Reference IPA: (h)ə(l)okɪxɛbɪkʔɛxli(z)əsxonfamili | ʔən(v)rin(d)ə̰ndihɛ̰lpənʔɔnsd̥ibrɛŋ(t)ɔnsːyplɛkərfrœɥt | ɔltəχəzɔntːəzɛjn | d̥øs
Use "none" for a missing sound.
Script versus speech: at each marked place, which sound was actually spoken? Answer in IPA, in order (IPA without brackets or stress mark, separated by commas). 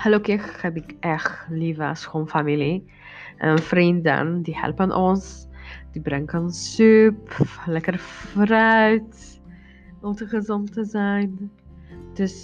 h, l, v, f, d, k